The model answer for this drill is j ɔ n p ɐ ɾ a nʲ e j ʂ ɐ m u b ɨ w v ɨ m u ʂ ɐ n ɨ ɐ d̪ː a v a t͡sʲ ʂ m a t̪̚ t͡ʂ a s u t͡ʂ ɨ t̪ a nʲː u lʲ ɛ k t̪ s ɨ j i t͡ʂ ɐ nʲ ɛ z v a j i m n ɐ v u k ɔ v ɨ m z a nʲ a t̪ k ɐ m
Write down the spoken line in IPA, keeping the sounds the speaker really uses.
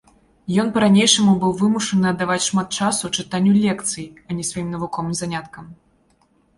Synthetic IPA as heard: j ɔ n p ɐ ɾ a nʲ e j ʂ ɐ m u b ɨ w v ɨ m u ʂ ɐ n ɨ ɐ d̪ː a v a t͡sʲ ʂ m a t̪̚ t͡ʂ a s u t͡ʂ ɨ t̪ a nʲː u lʲ ɛ k t̪ s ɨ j i ɐ nʲ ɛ s v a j i m n ɐ v u k ɔ v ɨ m z a nʲ a t̪ k ɐ m